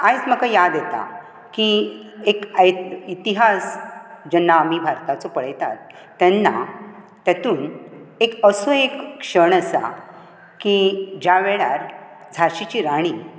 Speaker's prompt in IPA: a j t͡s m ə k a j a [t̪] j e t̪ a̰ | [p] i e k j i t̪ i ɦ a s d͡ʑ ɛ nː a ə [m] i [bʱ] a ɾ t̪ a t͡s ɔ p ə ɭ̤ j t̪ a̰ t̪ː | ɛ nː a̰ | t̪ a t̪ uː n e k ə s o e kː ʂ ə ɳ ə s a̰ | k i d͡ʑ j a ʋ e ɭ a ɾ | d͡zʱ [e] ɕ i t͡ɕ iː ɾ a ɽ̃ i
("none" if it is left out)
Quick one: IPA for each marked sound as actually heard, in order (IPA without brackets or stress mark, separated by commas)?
d̪, k, m, bʱ, a